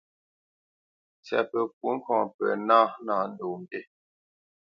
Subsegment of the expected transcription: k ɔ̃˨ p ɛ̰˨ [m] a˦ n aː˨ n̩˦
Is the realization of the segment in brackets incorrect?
yes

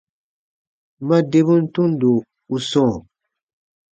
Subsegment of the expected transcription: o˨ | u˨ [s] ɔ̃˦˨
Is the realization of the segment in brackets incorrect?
no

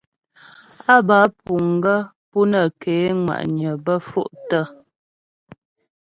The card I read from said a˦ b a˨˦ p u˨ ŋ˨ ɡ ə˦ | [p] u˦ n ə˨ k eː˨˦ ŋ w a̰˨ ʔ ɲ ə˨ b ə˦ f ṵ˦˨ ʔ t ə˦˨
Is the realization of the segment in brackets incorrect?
no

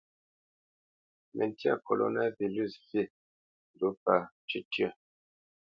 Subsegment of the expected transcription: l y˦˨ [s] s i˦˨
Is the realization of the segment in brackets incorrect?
no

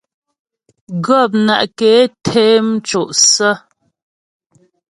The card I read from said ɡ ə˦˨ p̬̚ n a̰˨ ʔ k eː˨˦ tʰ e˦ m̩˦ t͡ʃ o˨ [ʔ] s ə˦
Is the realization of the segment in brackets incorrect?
no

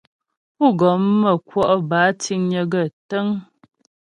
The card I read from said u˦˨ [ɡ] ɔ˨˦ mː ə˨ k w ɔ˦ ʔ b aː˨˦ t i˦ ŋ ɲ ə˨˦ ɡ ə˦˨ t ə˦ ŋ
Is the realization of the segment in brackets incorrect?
no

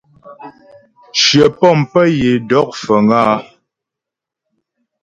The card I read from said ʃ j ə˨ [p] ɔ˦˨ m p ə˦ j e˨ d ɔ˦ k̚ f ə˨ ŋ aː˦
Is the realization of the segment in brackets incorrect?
no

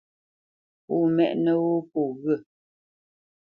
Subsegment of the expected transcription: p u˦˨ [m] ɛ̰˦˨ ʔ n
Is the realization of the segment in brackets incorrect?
no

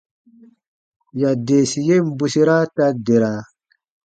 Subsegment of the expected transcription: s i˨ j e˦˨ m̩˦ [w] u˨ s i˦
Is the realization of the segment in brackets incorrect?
yes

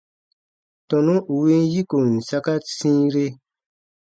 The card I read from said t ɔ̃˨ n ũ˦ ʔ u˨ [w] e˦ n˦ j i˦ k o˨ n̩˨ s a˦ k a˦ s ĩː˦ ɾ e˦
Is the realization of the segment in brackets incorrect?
no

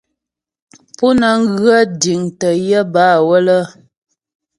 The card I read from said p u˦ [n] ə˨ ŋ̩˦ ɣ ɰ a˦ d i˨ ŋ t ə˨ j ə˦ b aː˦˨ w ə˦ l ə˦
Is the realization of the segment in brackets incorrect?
no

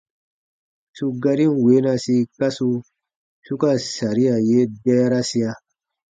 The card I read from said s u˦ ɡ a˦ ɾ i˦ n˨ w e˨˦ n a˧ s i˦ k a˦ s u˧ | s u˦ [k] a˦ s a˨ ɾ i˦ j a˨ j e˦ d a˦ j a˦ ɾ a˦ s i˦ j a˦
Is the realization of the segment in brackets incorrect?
no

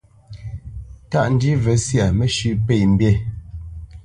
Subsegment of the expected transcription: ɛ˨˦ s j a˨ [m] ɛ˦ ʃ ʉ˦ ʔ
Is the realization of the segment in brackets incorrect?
no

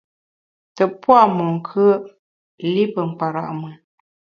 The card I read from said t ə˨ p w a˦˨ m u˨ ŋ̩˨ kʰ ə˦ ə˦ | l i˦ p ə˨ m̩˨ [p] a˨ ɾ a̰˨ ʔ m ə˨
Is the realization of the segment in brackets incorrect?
no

